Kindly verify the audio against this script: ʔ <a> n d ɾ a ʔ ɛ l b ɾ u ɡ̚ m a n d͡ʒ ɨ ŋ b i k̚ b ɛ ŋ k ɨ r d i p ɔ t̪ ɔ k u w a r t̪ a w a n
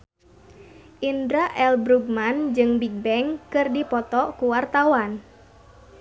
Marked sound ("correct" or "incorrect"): incorrect